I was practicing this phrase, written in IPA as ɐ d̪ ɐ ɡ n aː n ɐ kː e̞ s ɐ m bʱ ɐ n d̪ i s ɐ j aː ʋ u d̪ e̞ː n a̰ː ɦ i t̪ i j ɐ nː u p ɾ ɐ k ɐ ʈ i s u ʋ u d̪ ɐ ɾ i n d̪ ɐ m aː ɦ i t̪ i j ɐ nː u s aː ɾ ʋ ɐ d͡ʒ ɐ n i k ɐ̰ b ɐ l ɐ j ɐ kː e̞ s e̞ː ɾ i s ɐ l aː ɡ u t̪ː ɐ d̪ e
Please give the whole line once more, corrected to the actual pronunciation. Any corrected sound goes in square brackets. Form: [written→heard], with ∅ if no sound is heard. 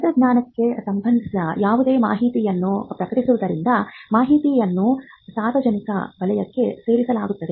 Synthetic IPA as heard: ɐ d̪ ɐ ɡ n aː n ɐ kː e̞ s ɐ m bʱ ɐ n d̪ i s ɐ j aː ʋ u d̪ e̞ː [n→m] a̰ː ɦ i t̪ i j ɐ nː u p ɾ ɐ k ɐ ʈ i s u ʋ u d̪ ɐ ɾ i n d̪ ɐ m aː ɦ i t̪ i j ɐ nː u s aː ɾ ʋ ɐ d͡ʒ ɐ n i k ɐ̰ b ɐ l ɐ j ɐ kː e̞ s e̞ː ɾ i s ɐ l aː ɡ u t̪ː ɐ d̪ e